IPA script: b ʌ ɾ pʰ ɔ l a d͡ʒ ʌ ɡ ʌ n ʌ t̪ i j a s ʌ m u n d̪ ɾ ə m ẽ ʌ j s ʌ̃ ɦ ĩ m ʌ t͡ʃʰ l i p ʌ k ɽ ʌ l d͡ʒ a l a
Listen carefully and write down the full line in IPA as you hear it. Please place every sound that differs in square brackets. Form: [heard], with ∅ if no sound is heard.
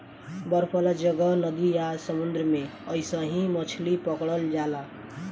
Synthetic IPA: b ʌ ɾ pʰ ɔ l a d͡ʒ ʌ ɡ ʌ n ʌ [d̪] i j a s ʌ m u n d̪ ɾ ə m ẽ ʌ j s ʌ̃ ɦ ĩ m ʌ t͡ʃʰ l i p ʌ k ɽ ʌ l d͡ʒ a l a